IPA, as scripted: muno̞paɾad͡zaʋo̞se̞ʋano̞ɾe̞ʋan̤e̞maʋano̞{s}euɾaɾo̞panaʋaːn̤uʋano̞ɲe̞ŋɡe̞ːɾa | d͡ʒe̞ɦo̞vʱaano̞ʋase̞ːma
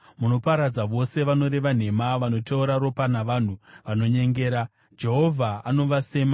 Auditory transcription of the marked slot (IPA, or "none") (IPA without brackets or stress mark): t